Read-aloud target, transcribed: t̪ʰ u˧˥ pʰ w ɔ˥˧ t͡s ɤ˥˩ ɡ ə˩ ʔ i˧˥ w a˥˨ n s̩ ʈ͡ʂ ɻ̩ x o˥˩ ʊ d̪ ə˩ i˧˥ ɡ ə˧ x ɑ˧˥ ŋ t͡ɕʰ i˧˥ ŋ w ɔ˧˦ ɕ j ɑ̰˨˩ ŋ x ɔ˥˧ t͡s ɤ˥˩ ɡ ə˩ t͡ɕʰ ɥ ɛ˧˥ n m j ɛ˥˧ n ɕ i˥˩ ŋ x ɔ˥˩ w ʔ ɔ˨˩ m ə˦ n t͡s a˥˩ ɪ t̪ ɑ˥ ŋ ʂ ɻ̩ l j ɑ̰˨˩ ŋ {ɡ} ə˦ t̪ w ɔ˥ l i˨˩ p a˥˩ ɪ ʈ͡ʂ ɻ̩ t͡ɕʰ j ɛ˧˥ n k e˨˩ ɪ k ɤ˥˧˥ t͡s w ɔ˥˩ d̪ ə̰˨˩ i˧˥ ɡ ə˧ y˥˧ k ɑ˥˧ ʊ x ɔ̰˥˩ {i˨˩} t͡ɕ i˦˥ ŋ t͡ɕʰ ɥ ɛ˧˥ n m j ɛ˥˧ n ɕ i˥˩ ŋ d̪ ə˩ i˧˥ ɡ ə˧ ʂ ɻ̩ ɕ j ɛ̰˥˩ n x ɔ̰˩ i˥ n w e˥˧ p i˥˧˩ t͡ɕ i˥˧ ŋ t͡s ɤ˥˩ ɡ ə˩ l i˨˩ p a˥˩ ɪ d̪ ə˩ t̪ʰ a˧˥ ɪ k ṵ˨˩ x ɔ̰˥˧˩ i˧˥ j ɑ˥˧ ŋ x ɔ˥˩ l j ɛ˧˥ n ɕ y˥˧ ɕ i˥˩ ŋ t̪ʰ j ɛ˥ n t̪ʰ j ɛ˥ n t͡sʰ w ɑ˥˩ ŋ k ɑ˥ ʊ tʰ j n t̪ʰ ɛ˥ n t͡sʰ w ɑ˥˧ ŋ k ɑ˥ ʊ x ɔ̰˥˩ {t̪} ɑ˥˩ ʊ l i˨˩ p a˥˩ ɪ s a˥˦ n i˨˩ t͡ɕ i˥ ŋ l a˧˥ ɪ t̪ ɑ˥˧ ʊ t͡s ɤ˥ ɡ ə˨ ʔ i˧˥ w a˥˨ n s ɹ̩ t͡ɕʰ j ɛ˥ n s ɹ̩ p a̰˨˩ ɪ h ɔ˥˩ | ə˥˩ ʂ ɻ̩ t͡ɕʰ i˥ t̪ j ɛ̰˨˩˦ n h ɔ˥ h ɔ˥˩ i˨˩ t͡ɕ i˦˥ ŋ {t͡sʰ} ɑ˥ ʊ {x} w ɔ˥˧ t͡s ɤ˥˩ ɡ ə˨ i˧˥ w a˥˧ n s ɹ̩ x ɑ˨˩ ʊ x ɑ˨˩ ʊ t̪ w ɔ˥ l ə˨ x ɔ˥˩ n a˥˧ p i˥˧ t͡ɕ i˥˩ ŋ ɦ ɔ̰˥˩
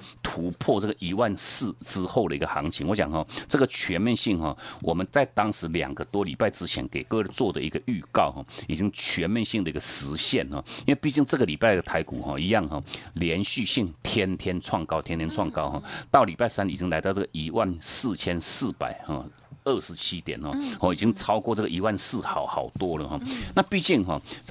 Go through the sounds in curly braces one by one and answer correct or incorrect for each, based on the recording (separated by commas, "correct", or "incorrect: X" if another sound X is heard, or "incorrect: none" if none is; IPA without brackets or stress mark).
correct, correct, correct, correct, incorrect: k